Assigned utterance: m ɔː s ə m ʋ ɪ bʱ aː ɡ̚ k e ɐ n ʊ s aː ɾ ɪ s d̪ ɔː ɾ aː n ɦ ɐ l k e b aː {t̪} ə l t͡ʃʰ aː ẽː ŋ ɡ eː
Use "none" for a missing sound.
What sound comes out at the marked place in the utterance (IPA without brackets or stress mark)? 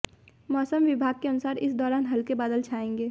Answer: d̪